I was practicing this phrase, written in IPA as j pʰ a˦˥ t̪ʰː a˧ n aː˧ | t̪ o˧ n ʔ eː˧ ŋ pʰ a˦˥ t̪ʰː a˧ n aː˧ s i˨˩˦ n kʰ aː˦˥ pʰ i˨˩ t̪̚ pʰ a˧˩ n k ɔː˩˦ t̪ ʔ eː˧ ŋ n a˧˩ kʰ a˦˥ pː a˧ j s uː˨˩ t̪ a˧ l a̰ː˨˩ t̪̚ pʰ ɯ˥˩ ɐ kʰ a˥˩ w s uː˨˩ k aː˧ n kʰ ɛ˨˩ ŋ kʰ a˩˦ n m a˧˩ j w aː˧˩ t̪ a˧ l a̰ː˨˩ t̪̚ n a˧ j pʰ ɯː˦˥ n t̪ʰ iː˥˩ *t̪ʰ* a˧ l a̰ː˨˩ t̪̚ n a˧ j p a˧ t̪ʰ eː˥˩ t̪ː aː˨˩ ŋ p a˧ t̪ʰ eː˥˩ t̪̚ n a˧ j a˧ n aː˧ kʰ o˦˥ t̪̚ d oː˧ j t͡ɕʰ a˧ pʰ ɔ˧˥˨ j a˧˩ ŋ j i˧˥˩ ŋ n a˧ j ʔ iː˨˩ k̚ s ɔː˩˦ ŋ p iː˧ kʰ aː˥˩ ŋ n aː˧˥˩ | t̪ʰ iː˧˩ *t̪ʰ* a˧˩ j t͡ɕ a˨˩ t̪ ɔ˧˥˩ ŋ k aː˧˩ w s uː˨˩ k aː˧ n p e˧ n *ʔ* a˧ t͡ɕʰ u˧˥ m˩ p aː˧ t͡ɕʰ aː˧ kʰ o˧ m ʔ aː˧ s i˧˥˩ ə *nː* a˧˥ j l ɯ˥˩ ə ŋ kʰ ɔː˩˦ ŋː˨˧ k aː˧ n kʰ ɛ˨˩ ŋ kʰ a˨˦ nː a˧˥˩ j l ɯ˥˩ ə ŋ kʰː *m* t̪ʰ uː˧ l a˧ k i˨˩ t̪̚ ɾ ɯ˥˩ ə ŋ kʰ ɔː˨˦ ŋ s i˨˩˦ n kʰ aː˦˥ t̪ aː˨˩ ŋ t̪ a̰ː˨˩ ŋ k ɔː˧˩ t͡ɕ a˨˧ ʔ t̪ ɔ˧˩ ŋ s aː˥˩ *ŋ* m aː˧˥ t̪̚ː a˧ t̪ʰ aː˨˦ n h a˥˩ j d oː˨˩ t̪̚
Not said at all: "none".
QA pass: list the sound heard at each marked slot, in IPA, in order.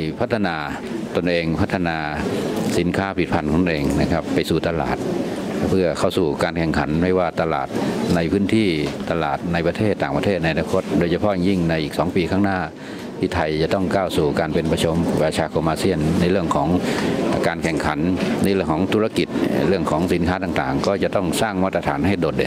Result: t̪, t̪ʰ, p, nː, ŋ, ŋ

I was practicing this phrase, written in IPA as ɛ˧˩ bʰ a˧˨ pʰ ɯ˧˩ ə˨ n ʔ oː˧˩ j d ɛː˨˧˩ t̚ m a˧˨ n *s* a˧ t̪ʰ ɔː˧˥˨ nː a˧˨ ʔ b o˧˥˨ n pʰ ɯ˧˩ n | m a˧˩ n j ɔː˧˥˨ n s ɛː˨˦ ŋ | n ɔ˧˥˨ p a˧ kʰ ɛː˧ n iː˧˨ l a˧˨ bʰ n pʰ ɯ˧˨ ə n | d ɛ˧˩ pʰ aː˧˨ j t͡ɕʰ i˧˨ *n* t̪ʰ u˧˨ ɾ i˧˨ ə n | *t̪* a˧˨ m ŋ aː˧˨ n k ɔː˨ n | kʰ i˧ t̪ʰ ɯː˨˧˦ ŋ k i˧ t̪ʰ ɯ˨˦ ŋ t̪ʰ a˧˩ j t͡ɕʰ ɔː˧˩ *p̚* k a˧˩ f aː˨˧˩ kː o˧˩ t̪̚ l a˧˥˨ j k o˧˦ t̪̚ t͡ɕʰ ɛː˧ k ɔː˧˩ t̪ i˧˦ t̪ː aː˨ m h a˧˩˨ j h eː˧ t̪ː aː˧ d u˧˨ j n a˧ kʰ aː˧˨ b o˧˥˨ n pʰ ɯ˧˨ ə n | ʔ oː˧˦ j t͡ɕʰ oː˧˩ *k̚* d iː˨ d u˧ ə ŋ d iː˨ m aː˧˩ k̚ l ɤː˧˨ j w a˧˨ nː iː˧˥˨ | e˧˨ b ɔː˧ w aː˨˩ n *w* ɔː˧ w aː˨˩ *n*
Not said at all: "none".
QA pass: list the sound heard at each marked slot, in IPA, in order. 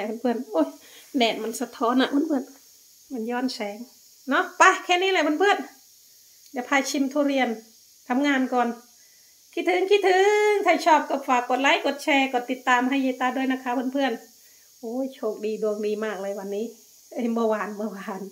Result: s, m, t̪ʰ, p̚, k̚, b, n

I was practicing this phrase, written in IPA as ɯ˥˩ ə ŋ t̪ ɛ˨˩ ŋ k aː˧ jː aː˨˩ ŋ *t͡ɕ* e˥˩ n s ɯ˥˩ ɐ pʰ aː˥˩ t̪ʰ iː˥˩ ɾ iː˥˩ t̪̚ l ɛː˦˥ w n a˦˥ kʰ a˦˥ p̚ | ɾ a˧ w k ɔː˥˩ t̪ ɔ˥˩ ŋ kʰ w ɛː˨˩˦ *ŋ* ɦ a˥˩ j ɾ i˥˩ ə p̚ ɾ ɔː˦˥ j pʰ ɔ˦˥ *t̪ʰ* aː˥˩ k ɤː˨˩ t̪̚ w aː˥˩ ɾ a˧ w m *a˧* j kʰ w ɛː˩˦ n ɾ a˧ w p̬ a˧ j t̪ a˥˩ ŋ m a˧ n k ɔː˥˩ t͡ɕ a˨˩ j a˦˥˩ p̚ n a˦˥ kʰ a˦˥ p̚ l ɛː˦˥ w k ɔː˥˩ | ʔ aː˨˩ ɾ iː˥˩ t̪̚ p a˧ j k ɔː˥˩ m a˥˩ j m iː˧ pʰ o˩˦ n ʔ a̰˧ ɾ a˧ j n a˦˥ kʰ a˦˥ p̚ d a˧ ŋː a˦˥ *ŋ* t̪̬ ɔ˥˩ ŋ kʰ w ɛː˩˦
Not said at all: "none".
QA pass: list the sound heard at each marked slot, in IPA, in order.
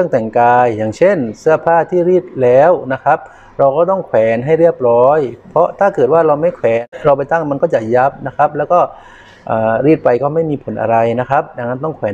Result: t͡ɕʰ, n, t̪ʰ, a˥˩, n

